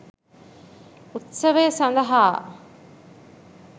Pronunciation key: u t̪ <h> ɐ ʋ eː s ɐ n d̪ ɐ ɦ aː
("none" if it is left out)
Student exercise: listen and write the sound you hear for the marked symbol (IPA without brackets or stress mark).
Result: s